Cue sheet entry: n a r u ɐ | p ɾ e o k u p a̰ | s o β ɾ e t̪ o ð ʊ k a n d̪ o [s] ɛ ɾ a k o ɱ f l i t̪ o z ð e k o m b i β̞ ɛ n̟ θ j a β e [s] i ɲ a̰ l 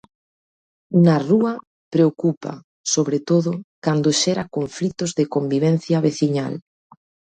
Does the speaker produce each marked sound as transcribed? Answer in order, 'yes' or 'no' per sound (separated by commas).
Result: no, no